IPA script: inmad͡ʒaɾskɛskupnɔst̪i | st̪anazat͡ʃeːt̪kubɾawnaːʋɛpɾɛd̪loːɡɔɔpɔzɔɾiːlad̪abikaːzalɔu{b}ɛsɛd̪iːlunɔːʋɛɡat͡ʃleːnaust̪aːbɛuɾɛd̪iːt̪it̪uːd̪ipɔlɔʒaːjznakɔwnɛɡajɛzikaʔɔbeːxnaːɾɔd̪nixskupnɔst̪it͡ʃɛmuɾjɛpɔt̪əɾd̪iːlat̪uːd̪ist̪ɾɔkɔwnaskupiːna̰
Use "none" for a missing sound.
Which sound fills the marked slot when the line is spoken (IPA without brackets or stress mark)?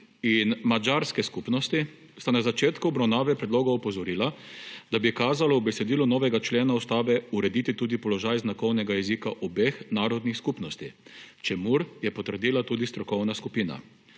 b